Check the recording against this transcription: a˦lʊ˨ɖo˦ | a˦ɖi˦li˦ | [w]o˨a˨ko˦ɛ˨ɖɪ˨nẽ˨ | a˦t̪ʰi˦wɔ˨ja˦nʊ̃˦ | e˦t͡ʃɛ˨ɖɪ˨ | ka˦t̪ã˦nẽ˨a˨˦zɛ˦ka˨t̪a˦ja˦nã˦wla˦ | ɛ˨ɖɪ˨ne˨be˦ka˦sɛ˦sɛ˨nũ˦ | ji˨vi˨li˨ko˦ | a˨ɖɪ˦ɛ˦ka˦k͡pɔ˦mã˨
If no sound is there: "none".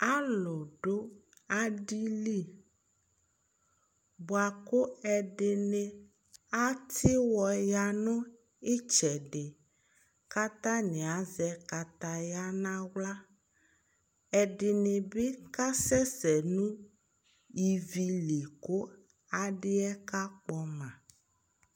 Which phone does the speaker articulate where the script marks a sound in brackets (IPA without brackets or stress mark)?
b